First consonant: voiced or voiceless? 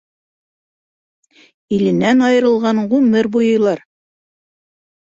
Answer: voiced